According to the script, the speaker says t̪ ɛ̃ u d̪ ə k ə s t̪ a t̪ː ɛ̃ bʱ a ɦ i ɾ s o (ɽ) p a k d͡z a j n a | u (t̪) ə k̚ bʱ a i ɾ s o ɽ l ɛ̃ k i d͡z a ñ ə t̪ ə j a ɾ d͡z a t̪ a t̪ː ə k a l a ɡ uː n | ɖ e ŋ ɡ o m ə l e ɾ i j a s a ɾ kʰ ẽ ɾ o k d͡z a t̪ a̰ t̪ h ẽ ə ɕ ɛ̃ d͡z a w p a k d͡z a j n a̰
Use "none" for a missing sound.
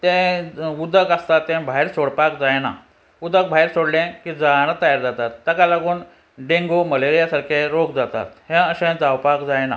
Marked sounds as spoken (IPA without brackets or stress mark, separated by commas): ɽ, d̪